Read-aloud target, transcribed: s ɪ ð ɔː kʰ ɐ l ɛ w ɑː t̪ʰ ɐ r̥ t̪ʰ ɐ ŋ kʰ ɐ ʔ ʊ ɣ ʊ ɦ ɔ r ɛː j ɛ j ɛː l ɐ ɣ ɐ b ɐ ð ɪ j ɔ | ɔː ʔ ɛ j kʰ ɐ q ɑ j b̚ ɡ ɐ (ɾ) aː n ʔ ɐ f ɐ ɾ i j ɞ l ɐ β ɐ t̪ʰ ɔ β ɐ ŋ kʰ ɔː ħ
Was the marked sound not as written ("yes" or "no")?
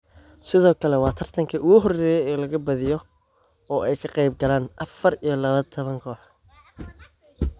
yes